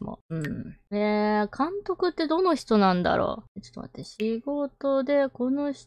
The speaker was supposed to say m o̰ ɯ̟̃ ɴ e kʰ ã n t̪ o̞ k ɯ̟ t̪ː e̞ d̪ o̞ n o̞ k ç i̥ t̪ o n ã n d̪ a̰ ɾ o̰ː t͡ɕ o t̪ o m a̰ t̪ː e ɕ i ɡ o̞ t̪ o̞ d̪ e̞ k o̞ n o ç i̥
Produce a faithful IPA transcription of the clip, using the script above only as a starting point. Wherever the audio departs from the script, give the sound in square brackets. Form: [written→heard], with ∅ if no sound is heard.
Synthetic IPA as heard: m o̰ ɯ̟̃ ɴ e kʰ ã n t̪ o̞ k ɯ̟ t̪ː e̞ d̪ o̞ n o̞ [k→∅] ç i̥ t̪ o n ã n d̪ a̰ ɾ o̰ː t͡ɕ o t̪ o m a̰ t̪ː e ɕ i ɡ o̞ t̪ o̞ d̪ e̞ k o̞ n o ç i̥